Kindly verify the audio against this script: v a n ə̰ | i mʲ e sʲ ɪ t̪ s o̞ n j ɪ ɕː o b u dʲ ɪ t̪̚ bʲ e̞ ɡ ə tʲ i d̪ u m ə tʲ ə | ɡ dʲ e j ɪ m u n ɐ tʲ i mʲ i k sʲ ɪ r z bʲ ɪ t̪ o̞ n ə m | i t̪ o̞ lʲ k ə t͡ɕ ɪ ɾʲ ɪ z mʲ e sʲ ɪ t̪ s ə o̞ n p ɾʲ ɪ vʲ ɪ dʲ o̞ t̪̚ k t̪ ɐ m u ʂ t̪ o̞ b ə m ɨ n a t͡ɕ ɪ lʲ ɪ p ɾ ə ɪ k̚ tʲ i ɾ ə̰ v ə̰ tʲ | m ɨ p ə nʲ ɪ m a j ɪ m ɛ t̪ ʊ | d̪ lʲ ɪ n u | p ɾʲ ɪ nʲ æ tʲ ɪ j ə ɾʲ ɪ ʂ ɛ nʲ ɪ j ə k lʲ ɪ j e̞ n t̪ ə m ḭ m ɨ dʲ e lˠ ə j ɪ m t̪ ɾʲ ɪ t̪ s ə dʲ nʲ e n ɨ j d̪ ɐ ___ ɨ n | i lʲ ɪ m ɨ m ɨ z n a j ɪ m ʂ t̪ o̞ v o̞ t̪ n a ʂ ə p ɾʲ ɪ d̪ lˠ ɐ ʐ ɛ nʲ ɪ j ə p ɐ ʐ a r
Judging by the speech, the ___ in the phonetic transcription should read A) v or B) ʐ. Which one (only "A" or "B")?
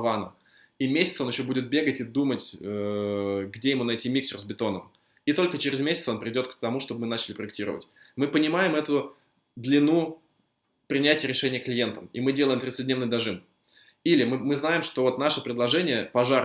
B